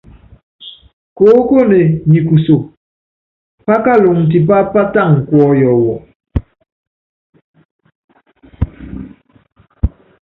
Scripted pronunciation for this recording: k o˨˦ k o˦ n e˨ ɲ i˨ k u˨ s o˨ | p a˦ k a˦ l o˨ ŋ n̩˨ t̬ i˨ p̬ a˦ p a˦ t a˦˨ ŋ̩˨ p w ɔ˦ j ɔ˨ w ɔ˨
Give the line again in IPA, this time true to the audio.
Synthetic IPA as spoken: k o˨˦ k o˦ n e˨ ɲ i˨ k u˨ s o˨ | p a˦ k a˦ l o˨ ŋ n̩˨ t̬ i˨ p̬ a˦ p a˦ t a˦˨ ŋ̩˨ k w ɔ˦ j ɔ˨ w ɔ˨